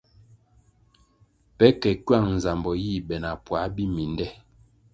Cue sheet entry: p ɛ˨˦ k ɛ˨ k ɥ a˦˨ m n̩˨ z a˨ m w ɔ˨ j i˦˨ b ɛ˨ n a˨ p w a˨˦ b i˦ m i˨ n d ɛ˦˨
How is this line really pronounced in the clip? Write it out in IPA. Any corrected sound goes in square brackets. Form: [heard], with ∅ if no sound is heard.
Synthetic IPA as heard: p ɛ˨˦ k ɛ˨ k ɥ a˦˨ [ŋ] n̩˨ z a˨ m [b] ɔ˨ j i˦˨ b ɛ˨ n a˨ p w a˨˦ b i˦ m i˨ n d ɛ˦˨